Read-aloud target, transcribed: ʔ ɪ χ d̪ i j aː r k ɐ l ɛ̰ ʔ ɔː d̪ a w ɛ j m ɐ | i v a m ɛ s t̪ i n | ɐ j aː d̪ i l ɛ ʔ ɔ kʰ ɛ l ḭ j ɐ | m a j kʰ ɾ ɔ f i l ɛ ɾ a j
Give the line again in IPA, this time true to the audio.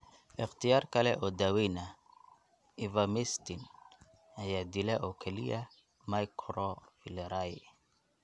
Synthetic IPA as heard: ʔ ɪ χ t̪ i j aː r k ɐ l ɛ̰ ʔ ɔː d̪ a w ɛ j n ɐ | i v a m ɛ s t̪ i n | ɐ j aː d̪ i l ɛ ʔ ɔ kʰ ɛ l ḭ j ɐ | m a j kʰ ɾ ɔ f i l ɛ ɾ a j

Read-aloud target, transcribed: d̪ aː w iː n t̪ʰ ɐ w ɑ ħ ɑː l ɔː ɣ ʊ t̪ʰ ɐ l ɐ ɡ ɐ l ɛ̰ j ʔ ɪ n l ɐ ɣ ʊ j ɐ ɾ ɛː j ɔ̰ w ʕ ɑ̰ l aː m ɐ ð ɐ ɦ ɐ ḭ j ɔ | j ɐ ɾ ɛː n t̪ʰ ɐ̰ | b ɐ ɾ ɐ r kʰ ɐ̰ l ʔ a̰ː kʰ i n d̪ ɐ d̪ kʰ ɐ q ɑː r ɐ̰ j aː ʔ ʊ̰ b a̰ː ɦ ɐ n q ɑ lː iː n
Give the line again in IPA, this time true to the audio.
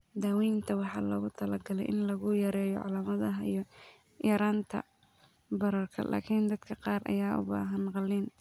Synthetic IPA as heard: d̪ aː w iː n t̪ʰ ɐ w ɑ ħ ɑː l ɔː ɣ ʊ t̪ʰ ɐ l ɐ ɡ ɐ l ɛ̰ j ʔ ɪ n l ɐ ɣ ʊ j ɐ ɾ ɛː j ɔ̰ ʕ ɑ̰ l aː m ɐ ð ɐ ɦ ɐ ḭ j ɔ | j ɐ ɾ aː n t̪ʰ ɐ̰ | b ɐ ɾ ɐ r kʰ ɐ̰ l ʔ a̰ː kʰ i n d̪ ɐ d̪ kʰ ɐ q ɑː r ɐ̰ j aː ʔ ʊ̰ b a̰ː ɦ ɐ n q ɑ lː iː n

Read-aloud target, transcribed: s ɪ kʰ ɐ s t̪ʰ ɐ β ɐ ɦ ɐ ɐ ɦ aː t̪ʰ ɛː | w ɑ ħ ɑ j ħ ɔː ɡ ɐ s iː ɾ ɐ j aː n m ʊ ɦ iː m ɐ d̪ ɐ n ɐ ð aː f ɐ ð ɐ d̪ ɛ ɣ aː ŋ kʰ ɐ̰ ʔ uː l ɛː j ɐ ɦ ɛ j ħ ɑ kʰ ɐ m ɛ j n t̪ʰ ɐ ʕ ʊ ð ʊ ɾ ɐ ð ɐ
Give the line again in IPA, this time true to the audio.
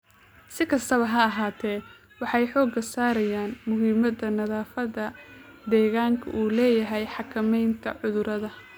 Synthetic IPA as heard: s ɪ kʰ ɐ s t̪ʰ ɐ β ɐ ɦ ɐ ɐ ɦ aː t̪ʰ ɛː | w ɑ ħ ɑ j ħ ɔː ɡ ɐ s aː ɾ ɐ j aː n m ʊ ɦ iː m ɐ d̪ ɐ n ɐ ð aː f ɐ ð ɐ d̪ ɛː ɣ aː ŋ kʰ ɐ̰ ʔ uː l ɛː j ɐ ɦ ɛ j ħ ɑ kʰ ɐ m ɛ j n t̪ʰ ɐ ʕ ʊ ð ʊ ɾ ɐ ð ɐ

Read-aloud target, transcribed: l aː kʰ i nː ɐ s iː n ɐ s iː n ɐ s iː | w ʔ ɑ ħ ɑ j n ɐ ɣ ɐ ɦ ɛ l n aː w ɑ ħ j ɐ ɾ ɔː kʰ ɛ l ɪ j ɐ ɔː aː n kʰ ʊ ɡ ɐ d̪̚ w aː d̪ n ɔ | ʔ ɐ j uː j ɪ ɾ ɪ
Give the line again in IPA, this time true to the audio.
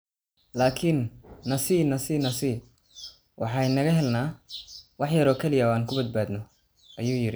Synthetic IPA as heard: l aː kʰ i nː ɐ s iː n ɐ s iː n ɐ s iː | w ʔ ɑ ħ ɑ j n ɐ ɣ ɐ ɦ ɛ l n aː w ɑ ħ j ɐ ɾ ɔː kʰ ɛ l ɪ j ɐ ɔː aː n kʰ ʊ b ɐ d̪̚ b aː d̪ n ɔ | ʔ ɐ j uː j ɪ ɾ ɪ

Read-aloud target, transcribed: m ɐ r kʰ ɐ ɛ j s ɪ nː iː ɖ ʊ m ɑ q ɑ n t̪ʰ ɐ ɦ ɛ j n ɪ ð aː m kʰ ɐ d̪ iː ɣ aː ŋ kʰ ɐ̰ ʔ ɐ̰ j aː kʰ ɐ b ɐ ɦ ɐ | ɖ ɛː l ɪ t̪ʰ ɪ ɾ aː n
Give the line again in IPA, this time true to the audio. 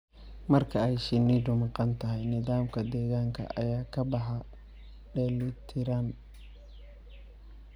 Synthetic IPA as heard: m ɐ r kʰ ɐ ɛ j ʃ ɪ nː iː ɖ ʊ m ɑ q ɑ n t̪ʰ ɐ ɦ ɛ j n ɪ ð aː m kʰ ɐ d̪ ɛː ɣ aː ŋ kʰ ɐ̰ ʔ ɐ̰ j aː kʰ ɐ b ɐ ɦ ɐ | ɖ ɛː l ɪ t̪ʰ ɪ ɾ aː n

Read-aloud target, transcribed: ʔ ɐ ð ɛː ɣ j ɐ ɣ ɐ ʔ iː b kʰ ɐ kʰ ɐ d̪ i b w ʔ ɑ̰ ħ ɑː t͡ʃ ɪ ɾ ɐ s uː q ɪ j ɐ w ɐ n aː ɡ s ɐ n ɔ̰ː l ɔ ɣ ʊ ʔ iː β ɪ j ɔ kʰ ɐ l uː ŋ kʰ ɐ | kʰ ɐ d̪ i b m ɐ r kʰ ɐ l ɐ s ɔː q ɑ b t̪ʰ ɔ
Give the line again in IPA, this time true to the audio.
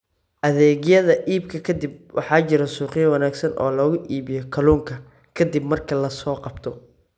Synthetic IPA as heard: ʔ ɐ ð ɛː ɣ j ɐ ð ɐ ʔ iː b kʰ ɐ kʰ ɐ d̪ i b w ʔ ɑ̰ ħ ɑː t͡ʃ ɪ ɾ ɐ s uː q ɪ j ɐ w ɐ n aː ɡ s ɐ n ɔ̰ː l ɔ ɣ ʊ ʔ iː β ɪ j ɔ kʰ ɐ l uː ŋ kʰ ɐ | kʰ ɐ d̪ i b m ɐ r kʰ ɐ l ɐ s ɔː q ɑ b t̪ʰ ɔ

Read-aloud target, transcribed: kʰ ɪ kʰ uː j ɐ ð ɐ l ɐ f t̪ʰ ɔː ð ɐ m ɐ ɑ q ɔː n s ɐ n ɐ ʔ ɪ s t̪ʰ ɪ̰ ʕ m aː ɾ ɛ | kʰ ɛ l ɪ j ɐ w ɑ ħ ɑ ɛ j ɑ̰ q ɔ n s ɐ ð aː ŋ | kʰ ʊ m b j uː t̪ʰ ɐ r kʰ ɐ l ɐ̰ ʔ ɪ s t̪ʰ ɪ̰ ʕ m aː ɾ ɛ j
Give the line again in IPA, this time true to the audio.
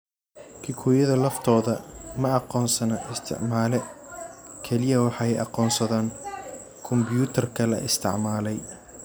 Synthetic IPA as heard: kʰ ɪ kʰ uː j ɐ ð ɐ l ɐ f t̪ʰ ɔː ð ɐ m ɐ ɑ q ɔː n s ɐ n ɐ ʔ ɪ s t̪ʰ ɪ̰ ʕ m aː l ɛ | kʰ ɛ l ɪ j ɐ w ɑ ħ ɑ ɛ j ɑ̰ q ɔː n s ɐ ð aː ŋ | kʰ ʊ m b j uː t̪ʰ ɐ r kʰ ɐ l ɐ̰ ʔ ɪ s t̪ʰ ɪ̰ ʕ m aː l ɛ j

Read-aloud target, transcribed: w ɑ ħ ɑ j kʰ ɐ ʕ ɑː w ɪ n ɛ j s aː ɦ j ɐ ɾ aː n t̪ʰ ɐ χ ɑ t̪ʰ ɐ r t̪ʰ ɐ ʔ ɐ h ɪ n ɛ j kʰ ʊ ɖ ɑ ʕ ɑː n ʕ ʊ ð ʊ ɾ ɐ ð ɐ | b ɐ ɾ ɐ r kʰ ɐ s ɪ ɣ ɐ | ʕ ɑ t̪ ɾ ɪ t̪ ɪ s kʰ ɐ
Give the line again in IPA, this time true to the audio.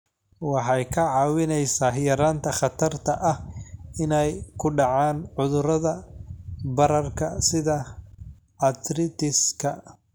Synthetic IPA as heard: w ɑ ħ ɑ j kʰ ɐ ʕ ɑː w ɪ n ɛ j s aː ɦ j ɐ ɾ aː n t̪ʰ ɐ χ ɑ t̪ʰ ɐ r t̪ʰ ɐ ʔ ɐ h ɪ n ɛ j kʰ ʊ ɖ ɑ ʕ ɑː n ʕ ʊ ð ʊ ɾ ɐ ð ɐ | b ɐ ɾ ɐ r kʰ ɐ s ɪ ð ɐ | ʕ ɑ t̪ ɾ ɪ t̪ ɪ s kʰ ɐ

